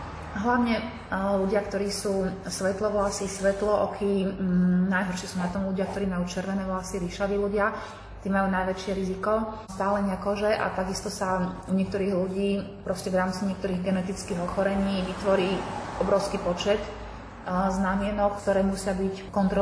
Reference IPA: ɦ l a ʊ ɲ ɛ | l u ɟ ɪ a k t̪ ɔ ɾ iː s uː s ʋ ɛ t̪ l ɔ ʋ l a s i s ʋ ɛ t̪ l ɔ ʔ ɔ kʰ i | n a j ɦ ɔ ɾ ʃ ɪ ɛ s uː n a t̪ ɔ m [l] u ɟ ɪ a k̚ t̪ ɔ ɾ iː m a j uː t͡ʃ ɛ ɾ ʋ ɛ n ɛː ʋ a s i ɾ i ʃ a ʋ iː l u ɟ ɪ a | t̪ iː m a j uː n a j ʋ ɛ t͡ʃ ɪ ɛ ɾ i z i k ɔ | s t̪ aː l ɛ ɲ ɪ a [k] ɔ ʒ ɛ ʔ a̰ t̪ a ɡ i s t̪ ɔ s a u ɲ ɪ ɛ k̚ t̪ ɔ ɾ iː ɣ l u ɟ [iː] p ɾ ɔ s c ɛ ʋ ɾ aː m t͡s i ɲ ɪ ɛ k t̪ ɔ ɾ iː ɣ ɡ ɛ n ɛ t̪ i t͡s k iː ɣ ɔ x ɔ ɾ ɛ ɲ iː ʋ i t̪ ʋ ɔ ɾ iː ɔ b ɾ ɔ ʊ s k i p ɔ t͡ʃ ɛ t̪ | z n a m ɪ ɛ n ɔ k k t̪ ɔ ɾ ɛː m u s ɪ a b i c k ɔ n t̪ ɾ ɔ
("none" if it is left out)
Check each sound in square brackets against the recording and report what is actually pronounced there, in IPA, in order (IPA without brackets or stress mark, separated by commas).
l, k, iː